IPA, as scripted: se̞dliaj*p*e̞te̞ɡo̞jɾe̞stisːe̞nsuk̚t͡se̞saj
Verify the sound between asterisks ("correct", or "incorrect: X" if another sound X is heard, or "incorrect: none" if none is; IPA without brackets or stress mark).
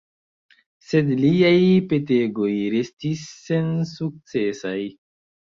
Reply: correct